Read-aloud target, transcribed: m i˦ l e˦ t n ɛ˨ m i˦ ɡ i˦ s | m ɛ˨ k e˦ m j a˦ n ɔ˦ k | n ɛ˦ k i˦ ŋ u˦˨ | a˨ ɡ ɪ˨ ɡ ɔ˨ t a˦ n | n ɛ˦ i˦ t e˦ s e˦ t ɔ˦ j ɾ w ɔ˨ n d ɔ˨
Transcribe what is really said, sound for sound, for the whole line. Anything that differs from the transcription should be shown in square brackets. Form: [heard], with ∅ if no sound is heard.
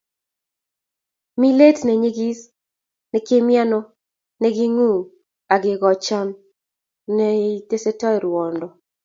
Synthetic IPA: m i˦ l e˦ t n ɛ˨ [ɲ] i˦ ɡ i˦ s | [n] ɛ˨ k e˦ m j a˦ n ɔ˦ [∅] | n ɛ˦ [ɡ] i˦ ŋ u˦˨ | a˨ ɡ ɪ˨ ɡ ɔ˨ [t͡ʃ] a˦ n | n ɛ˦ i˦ t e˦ s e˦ t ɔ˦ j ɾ w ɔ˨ n d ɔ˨